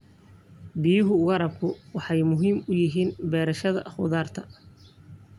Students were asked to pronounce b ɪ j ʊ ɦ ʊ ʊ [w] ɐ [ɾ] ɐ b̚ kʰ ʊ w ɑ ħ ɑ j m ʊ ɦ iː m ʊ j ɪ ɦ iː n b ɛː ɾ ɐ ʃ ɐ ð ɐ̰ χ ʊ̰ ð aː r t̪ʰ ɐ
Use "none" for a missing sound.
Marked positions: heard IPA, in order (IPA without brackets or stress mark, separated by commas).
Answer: ɣ, ɾ